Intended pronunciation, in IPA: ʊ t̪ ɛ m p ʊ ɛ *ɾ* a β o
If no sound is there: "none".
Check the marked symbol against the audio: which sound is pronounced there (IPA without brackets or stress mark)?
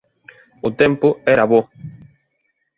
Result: ɾ